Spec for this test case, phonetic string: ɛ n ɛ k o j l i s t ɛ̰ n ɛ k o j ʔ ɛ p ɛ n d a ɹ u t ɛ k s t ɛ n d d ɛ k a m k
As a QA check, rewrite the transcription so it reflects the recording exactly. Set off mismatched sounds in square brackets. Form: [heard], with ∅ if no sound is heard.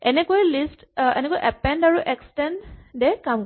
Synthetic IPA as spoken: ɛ n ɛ k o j l i s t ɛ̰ n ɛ k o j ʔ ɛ p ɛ n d a ɹ u [ʔ] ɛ k s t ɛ n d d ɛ k a m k